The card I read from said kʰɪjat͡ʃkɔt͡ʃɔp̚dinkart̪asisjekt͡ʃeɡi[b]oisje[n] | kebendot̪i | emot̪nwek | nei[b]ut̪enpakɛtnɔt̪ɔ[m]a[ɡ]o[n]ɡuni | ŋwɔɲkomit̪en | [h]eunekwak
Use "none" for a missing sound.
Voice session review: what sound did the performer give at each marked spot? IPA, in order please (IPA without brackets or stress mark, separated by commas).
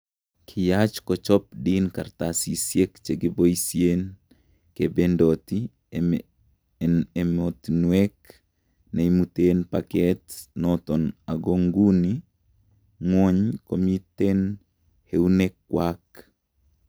b, n, m, n, ɡ, ŋ, h